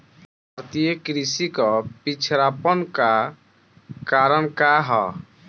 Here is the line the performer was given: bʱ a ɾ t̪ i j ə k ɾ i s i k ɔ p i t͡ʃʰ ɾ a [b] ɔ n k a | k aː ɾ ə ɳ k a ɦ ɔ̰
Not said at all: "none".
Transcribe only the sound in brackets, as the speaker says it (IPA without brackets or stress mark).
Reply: p